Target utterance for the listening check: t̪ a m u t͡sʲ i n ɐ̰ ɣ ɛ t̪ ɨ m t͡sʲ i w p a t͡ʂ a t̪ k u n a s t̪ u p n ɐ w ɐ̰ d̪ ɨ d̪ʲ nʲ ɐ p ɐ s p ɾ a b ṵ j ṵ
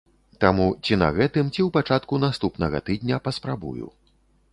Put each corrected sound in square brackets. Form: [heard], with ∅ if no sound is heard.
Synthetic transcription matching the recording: t̪ a m u t͡sʲ i n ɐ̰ ɣ ɛ t̪ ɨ m t͡sʲ i w p a t͡ʂ a t̪ k u n a s t̪ u p n ɐ [ɣ] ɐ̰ [t̪] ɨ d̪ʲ nʲ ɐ p ɐ s p ɾ a b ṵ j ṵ

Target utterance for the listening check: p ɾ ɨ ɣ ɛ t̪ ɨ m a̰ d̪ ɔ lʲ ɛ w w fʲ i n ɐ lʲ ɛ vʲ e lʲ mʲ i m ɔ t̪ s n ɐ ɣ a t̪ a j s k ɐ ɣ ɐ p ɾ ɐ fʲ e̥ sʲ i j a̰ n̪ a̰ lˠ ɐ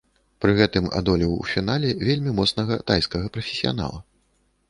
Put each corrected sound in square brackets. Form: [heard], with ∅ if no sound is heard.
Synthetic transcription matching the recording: p ɾ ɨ ɣ ɛ t̪ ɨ m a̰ d̪ ɔ lʲ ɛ w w fʲ i n [a] lʲ ɛ vʲ e lʲ mʲ i m ɔ t̪ s n ɐ ɣ [ɐ] t̪ a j s k ɐ ɣ ɐ p ɾ ɐ fʲ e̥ sʲ i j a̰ n̪ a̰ lˠ ɐ

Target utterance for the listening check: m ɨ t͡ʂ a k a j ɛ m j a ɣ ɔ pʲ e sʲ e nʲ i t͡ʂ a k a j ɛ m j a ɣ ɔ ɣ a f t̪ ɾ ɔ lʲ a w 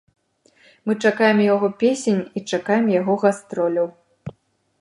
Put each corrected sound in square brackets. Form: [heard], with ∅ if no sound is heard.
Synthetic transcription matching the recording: m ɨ t͡ʂ a k a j ɛ m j a ɣ ɔ pʲ e sʲ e nʲ i t͡ʂ a k a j ɛ m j a ɣ ɔ ɣ a [s] t̪ ɾ ɔ lʲ [ɐ] w

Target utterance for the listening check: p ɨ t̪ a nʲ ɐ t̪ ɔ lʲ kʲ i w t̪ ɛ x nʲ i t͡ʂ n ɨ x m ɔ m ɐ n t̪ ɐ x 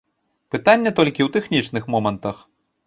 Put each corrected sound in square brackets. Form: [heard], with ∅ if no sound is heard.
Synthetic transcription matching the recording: p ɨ t̪ a [nʲː] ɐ t̪ ɔ lʲ kʲ i w t̪ ɛ x nʲ i t͡ʂ n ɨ x m ɔ m ɐ n t̪ ɐ x

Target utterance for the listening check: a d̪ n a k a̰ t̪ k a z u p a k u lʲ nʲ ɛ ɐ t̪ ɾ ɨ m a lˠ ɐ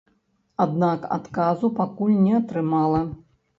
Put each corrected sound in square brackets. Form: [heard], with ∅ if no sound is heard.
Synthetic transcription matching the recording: a d̪ n a k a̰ t̪ k a z u p a k u lʲ nʲ ɛ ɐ t̪ ɾ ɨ m a lˠ ɐ

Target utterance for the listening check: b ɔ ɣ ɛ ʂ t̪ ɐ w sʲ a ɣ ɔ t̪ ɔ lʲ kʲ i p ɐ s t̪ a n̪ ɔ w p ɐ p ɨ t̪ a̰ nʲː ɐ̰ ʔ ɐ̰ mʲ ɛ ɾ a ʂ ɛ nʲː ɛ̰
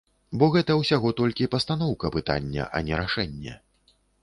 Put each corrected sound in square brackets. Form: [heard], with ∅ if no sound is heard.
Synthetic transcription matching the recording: b ɔ ɣ ɛ [∅] t̪ ɐ w sʲ a ɣ ɔ t̪ ɔ lʲ kʲ i p ɐ s t̪ a n̪ ɔ w [k] ɐ p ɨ t̪ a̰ nʲː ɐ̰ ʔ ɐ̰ [nʲ] ɛ ɾ a ʂ ɛ nʲː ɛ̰

